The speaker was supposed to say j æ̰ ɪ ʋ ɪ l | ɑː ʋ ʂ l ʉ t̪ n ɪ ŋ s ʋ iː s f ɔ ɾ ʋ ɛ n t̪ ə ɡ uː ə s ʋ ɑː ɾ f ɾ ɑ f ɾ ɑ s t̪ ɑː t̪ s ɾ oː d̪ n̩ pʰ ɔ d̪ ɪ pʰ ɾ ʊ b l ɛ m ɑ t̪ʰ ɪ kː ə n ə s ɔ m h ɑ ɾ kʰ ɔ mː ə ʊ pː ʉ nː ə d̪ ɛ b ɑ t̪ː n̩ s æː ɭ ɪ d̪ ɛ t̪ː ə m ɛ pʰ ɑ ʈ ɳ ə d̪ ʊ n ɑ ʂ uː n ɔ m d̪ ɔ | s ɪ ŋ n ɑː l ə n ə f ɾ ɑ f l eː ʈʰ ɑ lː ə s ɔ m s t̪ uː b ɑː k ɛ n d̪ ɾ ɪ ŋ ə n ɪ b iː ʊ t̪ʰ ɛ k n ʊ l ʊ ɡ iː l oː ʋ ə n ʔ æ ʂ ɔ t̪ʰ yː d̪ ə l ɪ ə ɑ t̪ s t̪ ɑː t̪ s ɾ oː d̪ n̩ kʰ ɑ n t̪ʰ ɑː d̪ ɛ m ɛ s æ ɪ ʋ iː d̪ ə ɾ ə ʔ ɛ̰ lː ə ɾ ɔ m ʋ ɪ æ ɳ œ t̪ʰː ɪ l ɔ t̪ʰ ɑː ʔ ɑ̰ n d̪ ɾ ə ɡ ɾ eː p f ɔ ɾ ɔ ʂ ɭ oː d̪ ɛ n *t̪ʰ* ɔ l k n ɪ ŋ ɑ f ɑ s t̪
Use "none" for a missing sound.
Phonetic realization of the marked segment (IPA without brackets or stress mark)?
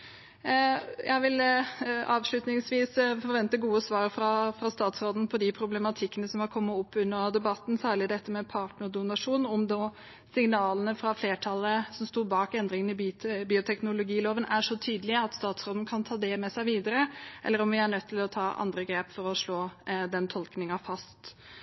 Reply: t̪ʰ